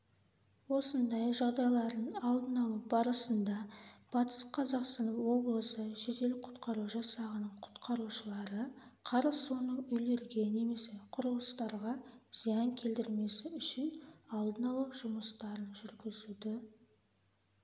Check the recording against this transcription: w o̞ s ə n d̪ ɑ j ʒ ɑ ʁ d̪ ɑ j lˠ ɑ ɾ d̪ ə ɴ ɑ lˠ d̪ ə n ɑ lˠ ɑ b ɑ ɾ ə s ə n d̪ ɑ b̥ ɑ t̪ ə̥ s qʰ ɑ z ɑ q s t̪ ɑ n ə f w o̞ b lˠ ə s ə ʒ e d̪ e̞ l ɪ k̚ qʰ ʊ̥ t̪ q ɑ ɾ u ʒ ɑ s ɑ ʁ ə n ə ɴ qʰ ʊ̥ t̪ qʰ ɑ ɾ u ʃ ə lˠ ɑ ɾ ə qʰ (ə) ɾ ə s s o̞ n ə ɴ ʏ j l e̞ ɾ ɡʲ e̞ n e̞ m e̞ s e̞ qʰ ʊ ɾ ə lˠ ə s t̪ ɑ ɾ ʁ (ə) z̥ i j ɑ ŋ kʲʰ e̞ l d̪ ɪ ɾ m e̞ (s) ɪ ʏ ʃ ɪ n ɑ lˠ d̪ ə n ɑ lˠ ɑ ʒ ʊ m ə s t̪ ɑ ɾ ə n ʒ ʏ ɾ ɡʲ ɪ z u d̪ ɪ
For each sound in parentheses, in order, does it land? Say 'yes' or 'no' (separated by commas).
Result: no, no, yes